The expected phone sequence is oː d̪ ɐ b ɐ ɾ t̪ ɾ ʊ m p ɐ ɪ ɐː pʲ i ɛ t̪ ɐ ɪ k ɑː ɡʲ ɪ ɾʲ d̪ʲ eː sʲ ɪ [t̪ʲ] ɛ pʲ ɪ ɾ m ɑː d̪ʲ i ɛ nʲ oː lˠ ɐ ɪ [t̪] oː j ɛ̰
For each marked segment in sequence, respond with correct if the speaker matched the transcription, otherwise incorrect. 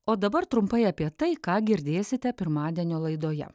correct, incorrect: d̪

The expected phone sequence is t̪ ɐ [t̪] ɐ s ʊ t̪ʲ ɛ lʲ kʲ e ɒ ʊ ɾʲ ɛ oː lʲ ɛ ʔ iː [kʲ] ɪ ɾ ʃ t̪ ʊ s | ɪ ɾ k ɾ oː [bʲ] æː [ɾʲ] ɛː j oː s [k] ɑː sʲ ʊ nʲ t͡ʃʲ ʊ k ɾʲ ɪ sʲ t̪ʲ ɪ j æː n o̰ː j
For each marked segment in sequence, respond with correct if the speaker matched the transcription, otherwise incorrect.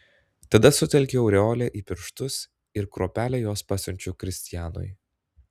incorrect: d̪, incorrect: pʲ, incorrect: pʲ, incorrect: lʲ, incorrect: p

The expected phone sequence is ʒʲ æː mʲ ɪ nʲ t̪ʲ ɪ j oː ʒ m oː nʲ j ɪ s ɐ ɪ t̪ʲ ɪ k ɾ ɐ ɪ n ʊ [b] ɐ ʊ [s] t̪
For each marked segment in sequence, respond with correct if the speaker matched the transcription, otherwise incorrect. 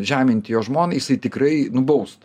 correct, correct

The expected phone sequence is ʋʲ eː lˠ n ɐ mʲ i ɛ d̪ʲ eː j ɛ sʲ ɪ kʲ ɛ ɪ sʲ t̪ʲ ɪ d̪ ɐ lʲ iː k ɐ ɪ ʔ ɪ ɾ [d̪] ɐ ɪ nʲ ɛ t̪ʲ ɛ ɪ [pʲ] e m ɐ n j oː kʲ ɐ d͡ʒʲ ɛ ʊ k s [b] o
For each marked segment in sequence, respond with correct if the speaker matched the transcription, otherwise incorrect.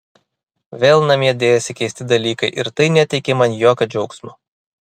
incorrect: t̪, incorrect: kʲ, incorrect: m

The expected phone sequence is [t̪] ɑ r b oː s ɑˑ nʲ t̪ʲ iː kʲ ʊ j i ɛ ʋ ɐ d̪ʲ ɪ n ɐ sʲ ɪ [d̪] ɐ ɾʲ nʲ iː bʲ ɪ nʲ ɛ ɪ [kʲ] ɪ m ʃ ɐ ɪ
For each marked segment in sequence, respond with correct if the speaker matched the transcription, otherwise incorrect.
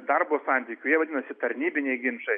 incorrect: d̪, incorrect: t̪, incorrect: ɡʲ

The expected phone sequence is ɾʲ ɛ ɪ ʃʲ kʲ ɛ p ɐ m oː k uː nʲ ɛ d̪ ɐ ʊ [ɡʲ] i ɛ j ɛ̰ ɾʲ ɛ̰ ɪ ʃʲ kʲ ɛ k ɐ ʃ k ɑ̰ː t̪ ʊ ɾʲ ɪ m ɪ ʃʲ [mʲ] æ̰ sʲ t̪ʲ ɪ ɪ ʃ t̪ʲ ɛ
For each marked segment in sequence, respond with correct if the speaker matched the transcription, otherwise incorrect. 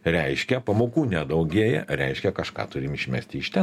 correct, correct

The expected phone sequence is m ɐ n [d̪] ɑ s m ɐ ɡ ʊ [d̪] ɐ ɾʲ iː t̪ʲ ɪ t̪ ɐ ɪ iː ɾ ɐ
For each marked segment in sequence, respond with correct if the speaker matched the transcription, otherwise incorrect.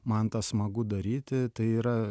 incorrect: t̪, correct

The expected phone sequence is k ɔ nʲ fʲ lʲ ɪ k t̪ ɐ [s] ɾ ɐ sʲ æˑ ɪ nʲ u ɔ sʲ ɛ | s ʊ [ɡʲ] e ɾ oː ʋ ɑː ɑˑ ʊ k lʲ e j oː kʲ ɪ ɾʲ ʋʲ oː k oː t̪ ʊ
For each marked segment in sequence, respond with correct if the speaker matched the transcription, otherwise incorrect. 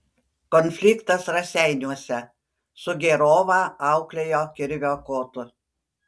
correct, correct

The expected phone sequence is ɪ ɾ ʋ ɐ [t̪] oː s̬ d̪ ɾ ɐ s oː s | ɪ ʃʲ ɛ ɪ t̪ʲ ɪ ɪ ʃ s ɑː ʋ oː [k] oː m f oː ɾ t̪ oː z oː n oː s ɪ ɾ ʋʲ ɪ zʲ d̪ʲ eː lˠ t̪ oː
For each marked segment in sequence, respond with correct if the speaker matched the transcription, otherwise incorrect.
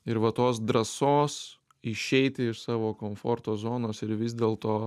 correct, correct

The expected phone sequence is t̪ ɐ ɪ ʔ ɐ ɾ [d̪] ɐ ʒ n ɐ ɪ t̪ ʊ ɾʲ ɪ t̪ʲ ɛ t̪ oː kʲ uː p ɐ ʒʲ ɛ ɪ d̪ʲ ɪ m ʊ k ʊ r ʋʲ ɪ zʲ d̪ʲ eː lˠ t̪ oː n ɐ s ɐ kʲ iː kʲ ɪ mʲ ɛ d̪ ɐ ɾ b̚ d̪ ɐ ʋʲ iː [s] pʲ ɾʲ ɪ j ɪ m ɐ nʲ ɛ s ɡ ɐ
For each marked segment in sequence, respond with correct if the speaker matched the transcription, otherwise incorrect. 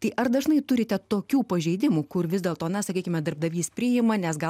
correct, correct

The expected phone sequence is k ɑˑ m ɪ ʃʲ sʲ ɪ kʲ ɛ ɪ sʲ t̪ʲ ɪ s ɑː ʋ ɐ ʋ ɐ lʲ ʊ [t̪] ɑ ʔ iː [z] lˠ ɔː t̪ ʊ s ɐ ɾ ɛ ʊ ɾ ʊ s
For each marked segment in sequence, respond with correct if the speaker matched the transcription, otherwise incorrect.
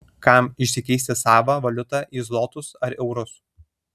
correct, correct

